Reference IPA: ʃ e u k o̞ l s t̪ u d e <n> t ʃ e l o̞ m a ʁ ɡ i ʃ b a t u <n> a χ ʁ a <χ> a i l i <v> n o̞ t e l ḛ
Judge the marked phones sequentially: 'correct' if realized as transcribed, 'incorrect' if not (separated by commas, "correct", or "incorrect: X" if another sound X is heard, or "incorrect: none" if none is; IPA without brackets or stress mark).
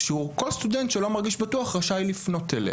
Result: correct, incorrect: none, incorrect: ʃ, incorrect: f